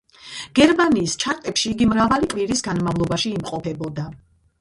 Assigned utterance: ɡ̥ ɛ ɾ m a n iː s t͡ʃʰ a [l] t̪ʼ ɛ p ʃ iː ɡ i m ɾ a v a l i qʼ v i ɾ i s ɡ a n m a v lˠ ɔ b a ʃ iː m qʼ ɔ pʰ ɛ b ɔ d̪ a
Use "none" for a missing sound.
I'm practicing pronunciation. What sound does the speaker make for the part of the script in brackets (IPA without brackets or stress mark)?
ɾ